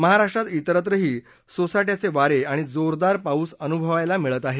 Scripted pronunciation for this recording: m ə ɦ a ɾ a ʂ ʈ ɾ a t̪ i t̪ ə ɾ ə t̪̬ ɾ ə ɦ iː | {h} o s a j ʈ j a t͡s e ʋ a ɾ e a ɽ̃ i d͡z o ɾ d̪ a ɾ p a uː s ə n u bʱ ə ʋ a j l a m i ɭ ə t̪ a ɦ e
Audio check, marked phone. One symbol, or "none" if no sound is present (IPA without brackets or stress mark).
s